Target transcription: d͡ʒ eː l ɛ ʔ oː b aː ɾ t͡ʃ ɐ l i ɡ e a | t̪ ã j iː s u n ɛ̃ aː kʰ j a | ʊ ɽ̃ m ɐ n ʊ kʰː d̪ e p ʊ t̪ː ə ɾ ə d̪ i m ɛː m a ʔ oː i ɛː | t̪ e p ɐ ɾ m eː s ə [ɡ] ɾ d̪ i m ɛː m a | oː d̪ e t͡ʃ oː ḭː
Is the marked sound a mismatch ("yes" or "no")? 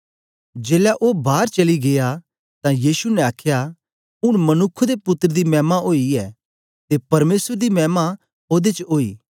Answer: yes